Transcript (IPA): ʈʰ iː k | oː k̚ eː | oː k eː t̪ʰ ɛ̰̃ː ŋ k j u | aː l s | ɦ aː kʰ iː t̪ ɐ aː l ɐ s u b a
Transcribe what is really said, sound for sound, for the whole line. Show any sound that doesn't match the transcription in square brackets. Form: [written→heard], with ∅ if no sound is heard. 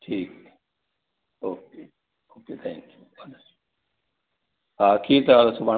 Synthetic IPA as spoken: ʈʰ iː k | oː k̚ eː | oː k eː t̪ʰ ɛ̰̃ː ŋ k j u | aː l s | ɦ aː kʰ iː t̪ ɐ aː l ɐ s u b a